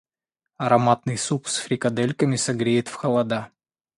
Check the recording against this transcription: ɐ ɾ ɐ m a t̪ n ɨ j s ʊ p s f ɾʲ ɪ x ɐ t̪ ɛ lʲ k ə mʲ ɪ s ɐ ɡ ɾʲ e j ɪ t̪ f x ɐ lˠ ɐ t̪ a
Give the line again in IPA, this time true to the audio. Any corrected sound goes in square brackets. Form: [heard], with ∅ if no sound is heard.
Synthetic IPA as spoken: ɐ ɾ ɐ m a t̪ n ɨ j s [u] p s f ɾʲ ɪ [k] ɐ [d̪] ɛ lʲ k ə mʲ ɪ s ɐ ɡ ɾʲ e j ɪ t̪ f x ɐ lˠ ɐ [d̪] a